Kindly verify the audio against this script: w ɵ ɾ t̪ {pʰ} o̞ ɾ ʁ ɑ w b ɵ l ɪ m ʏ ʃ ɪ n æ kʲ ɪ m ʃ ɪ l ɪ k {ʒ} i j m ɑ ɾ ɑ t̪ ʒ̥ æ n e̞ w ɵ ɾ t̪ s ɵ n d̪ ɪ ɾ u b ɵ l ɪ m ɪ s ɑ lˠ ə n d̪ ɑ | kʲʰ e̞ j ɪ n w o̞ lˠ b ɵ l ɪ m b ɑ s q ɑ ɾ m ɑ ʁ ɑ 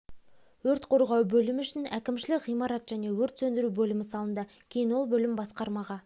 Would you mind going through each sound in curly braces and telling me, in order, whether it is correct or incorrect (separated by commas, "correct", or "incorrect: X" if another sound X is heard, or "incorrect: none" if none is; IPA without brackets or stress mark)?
incorrect: qʰ, incorrect: ʁ